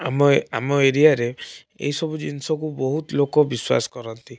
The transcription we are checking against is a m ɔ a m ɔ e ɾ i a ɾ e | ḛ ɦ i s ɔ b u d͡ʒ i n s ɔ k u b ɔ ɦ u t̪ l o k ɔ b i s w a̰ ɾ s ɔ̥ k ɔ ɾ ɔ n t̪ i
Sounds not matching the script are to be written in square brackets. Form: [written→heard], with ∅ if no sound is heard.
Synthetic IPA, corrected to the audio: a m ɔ a m ɔ e ɾ i a ɾ e | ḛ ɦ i s ɔ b u d͡ʒ i n s ɔ k u b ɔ ɦ u t̪ l o k ɔ b i s w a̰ [ɾ→∅] s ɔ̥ k ɔ ɾ ɔ n t̪ i